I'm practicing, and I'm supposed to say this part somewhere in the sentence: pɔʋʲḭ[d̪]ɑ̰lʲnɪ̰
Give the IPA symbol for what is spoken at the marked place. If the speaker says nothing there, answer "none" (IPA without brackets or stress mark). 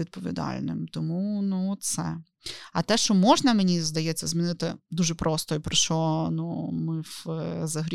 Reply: d̪